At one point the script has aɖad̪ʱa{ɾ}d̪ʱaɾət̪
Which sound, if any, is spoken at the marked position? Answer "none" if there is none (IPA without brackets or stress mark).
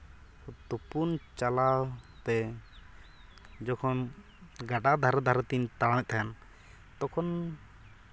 ɾ